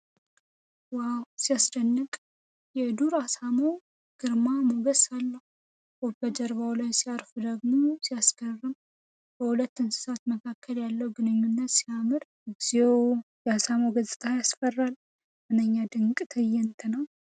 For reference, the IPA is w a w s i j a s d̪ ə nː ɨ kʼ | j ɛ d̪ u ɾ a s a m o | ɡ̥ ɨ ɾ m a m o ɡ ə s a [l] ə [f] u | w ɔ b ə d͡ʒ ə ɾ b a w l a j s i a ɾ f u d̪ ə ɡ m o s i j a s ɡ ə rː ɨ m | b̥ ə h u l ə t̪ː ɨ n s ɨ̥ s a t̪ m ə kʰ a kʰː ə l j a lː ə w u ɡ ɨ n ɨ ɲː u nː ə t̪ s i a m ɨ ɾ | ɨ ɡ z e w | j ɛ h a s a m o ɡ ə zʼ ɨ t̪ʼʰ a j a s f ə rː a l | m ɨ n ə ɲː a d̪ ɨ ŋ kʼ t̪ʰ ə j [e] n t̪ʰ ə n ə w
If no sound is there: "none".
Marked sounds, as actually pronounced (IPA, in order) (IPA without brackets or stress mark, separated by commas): lː, h, ɛ